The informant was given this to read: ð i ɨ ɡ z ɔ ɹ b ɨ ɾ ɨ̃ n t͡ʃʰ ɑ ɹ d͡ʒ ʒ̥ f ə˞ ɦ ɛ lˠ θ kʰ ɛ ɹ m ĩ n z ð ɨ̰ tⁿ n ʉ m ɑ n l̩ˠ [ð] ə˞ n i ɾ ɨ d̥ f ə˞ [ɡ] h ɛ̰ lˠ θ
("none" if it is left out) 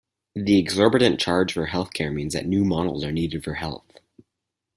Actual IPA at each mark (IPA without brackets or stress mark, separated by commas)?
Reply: z, none